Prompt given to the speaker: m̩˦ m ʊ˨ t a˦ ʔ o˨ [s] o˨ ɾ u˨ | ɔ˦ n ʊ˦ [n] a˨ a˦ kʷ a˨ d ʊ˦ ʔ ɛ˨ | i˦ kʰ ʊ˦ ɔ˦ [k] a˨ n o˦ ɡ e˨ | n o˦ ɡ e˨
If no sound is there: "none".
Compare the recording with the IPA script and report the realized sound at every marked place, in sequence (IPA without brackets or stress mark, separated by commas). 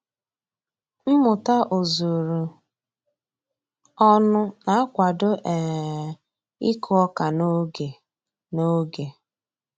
z, n, k